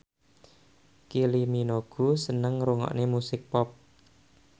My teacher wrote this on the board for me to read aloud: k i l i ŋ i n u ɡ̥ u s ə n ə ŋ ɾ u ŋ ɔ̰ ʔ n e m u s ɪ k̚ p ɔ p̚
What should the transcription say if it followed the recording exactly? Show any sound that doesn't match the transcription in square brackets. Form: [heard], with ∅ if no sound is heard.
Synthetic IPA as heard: k i l i [m] i n [o] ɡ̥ u s ə n ə ŋ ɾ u ŋ ɔ̰ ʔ n e m u s ɪ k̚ p ɔ p̚